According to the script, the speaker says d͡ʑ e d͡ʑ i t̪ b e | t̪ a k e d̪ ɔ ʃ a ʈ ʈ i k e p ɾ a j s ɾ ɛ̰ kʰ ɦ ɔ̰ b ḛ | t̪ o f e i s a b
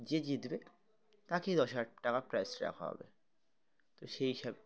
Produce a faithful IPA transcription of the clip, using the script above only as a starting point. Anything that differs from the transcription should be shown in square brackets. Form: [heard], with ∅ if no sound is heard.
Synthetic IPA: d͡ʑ e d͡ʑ i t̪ b e | t̪ a k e d̪ ɔ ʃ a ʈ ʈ [a] k [a] p ɾ a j s ɾ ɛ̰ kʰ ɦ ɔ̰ b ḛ | t̪ o [ʃ] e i [ʃ] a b